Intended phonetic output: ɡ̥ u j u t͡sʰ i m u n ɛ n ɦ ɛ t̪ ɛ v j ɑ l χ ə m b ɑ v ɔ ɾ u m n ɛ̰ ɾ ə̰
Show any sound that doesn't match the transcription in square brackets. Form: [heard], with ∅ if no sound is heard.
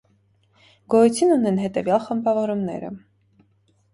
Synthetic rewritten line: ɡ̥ [ɔ] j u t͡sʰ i [n] u n ɛ n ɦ ɛ t̪ ɛ v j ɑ l χ ə m b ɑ v ɔ ɾ u m n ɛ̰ ɾ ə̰